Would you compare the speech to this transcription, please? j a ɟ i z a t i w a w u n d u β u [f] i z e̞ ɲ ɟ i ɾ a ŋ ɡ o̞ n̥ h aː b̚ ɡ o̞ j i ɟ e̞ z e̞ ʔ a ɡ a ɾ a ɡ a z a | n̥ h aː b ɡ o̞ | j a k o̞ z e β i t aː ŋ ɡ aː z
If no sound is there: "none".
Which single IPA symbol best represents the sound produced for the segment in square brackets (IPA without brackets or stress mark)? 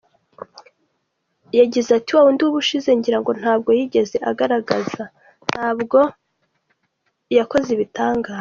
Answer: ʃ